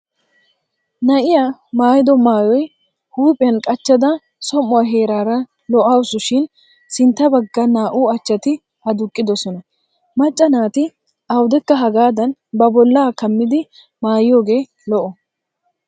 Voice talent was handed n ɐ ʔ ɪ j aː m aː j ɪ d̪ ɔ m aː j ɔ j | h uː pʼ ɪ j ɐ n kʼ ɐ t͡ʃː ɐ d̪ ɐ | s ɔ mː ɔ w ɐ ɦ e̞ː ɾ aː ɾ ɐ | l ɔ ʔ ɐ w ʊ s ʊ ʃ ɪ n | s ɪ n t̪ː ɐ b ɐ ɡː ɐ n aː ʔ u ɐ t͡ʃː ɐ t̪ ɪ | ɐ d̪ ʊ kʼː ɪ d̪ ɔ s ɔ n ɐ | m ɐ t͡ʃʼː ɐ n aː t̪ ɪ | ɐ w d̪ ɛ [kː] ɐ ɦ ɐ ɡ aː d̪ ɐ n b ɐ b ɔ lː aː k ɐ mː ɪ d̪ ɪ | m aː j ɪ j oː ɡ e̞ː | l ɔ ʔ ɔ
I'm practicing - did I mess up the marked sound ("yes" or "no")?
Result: no